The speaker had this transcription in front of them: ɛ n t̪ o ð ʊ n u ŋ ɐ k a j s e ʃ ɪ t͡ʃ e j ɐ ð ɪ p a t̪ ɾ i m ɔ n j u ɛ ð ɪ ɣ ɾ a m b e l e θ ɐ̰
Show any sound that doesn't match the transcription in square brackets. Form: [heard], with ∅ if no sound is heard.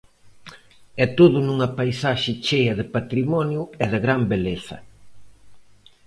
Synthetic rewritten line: ɛ [∅] t̪ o ð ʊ n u ŋ ɐ [p] a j s [a] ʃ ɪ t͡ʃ e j ɐ ð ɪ p a t̪ ɾ i m ɔ n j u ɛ ð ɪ ɣ ɾ a m b e l e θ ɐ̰